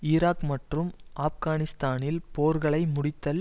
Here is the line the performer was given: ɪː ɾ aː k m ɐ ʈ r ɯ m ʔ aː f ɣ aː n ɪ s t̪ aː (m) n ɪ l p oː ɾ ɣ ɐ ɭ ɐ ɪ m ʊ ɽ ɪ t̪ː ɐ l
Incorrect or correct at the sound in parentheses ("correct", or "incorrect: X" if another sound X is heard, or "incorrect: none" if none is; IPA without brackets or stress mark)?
incorrect: none